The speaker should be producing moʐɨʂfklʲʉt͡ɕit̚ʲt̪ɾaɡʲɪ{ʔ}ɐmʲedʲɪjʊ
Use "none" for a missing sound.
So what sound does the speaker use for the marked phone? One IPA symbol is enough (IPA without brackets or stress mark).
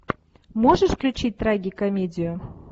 k